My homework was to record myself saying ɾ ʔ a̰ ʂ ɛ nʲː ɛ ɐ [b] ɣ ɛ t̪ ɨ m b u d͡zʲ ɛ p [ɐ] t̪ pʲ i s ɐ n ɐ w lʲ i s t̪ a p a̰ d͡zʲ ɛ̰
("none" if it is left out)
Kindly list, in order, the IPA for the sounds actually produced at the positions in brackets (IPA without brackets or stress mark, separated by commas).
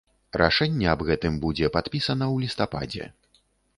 b, a